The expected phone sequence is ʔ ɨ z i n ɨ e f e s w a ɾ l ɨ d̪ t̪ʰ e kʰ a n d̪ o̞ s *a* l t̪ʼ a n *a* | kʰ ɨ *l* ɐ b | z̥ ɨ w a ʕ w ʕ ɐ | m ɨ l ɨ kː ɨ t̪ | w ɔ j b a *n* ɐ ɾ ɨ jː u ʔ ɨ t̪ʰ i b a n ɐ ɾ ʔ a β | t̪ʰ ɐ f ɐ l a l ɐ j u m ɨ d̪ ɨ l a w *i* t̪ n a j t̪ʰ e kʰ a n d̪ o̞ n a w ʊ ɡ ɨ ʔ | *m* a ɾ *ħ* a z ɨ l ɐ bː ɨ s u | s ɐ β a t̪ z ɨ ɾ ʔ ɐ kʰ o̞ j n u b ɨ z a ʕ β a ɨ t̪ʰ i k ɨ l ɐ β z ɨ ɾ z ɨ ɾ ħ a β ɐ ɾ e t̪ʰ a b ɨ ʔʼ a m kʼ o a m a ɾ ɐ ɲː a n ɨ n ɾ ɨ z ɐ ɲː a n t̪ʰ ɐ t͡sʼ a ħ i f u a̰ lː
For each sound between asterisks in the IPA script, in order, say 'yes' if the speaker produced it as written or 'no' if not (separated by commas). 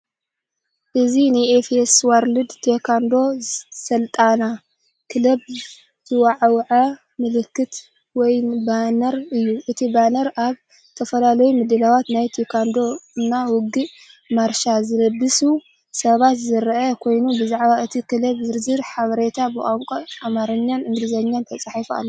no, yes, yes, yes, no, yes, no